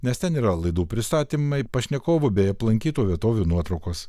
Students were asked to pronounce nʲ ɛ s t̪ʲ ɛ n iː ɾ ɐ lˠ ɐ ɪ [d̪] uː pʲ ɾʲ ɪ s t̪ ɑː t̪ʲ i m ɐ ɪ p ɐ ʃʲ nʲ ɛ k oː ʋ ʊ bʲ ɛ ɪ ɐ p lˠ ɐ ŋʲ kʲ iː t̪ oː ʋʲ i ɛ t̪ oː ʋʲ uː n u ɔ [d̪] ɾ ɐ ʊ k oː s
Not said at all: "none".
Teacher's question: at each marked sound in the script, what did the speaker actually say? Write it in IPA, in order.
d̪, t̪

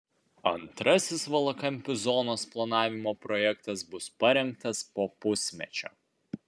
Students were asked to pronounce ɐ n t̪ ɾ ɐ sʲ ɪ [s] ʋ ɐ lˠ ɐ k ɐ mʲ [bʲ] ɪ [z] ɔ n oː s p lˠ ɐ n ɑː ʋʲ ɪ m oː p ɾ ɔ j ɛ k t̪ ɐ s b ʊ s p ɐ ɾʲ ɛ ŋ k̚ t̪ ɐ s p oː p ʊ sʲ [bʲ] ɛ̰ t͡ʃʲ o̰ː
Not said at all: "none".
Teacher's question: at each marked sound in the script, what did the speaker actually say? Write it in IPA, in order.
s, pʲ, z, mʲ

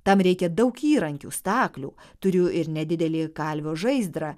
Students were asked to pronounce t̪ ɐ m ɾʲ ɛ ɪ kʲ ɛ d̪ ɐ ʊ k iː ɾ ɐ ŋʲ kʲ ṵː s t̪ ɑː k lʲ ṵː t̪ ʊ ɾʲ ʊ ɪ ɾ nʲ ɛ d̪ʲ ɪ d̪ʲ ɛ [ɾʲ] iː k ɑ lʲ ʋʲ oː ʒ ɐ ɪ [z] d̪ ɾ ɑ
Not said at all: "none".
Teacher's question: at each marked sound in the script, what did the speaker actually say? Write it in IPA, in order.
lʲ, z

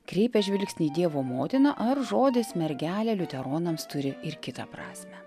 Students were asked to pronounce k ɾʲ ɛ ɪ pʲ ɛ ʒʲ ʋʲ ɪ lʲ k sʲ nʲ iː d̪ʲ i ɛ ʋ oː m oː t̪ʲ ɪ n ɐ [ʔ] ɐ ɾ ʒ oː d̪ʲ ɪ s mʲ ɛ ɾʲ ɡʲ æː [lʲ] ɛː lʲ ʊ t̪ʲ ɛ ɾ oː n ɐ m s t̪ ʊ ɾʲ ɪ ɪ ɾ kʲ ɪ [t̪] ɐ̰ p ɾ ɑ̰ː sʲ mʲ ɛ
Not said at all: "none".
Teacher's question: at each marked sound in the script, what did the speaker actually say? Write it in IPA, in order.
ʔ, lʲ, t̪

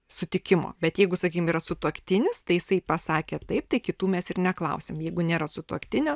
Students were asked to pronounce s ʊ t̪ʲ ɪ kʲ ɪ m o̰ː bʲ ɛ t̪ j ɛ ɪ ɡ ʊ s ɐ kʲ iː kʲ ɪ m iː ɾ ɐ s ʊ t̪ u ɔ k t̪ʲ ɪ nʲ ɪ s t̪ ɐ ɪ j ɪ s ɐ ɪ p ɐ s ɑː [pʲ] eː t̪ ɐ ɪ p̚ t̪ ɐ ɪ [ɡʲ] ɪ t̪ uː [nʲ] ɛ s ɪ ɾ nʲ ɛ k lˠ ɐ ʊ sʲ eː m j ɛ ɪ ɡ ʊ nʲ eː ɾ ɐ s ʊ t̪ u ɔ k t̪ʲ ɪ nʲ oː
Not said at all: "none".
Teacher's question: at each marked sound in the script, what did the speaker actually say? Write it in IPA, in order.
kʲ, kʲ, mʲ

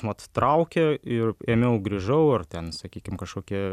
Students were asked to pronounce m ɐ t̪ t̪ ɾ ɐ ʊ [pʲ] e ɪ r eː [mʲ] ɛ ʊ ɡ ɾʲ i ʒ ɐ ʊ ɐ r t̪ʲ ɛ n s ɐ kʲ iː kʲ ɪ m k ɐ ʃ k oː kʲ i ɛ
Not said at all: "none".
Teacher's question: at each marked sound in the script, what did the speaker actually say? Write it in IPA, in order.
kʲ, mʲ

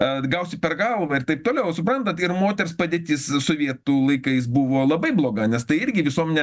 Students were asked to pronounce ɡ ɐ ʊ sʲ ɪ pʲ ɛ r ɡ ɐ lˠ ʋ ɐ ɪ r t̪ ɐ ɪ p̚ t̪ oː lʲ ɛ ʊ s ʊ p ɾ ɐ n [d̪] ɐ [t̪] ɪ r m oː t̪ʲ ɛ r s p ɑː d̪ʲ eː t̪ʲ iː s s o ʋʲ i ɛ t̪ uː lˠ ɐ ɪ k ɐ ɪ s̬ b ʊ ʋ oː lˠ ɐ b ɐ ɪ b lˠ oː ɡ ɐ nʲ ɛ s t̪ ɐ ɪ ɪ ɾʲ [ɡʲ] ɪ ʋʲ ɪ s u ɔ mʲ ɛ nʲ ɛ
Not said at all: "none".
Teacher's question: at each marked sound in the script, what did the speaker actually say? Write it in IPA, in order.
t̪, t̪, ɡʲ

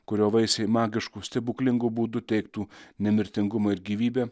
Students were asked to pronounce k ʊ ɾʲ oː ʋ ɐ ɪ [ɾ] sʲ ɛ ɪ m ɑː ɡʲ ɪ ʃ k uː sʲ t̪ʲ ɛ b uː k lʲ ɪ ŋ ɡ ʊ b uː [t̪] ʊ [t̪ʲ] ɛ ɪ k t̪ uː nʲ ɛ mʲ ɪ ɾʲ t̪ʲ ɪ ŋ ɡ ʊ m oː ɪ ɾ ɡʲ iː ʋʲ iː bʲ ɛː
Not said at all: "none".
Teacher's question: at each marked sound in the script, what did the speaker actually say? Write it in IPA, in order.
none, d̪, t̪ʲ

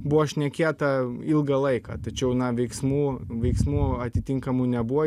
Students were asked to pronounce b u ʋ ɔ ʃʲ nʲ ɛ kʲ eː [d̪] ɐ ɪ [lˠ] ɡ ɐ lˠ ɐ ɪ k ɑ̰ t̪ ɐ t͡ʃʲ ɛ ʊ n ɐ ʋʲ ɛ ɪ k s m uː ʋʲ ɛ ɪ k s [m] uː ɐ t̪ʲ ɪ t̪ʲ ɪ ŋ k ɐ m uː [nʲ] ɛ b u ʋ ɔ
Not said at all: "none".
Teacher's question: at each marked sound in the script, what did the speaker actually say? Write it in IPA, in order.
t̪, lˠ, m, nʲ

